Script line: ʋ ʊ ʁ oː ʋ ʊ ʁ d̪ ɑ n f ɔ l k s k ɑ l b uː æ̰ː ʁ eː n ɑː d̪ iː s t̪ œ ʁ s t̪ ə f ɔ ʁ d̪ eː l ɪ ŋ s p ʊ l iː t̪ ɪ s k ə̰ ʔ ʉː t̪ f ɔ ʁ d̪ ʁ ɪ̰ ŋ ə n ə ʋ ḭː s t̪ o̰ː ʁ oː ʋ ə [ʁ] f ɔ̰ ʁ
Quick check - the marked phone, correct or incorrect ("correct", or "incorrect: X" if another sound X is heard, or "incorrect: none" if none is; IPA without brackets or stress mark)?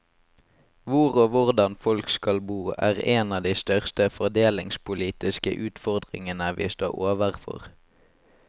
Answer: correct